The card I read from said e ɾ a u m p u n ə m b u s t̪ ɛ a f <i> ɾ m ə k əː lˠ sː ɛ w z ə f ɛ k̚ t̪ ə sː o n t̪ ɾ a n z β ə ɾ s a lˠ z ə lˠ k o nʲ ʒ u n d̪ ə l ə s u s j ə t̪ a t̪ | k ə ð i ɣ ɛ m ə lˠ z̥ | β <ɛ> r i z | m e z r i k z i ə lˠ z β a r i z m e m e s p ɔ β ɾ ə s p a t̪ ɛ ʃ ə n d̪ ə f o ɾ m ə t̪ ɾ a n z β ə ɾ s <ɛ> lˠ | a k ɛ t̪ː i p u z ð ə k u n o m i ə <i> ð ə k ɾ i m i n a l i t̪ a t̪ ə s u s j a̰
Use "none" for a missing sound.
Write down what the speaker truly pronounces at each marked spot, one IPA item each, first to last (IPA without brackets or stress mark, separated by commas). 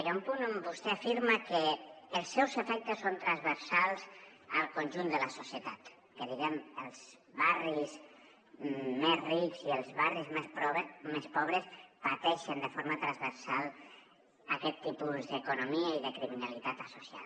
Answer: i, a, a, i